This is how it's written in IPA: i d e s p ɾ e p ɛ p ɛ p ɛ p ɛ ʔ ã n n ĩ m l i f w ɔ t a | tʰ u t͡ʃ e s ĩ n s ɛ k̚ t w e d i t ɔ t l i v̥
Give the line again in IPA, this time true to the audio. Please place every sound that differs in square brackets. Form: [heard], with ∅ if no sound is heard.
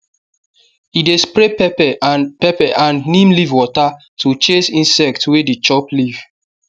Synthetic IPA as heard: i d e s p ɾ e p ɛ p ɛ p ɛ p ɛ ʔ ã n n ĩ m l i [v] w ɔ t a | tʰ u t͡ʃ e s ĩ n s ɛ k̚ t w e d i [t͡ʃ] ɔ [p] l i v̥